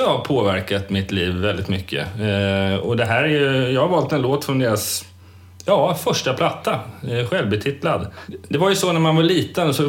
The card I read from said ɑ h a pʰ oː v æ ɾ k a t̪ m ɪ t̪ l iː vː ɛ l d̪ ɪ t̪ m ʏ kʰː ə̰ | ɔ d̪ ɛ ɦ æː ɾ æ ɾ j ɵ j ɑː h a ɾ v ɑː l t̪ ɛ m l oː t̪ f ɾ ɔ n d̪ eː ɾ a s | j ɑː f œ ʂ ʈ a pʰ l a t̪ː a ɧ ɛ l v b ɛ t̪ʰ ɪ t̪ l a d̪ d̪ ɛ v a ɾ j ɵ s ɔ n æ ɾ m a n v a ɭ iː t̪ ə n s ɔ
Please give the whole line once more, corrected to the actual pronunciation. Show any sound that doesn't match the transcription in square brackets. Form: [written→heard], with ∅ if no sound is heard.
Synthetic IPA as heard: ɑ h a pʰ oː v æ ɾ k a t̪ m ɪ t̪ l iː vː ɛ l d̪ ɪ t̪ m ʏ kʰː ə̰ | ɔ d̪ ɛ ɦ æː ɾ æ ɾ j ɵ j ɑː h a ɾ v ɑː l t̪ ɛ [m→n] l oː t̪ f ɾ ɔ n d̪ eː ɾ a s | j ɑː f œ ʂ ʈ a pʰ l a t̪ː a ɧ ɛ l v b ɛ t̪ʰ ɪ t̪ l a d̪ d̪ ɛ v a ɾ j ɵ s ɔ n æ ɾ m a n v a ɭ iː t̪ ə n s ɔ